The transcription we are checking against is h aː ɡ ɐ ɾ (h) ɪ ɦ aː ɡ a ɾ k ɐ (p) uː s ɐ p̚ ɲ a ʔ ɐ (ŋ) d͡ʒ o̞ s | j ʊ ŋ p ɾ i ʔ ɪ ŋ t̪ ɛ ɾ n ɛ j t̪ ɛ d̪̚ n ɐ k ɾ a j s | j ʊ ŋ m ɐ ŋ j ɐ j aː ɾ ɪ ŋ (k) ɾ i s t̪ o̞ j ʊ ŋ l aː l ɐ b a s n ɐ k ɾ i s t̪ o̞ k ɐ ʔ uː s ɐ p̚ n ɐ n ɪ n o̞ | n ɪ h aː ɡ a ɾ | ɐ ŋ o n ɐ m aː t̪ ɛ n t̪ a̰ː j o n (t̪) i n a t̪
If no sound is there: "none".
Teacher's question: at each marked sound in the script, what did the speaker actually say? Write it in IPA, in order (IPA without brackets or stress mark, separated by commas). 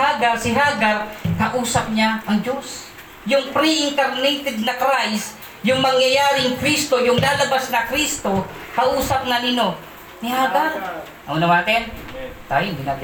s, ʔ, ŋ, k, d̪